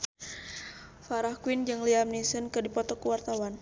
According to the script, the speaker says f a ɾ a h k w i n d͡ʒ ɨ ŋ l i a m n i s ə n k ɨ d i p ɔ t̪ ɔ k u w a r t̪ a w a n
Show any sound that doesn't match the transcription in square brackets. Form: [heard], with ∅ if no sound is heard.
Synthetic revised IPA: f a ɾ a h k w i n d͡ʒ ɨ ŋ l i a m n i s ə n k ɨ d i p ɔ t̪ ɔ k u w a r t̪ a w a n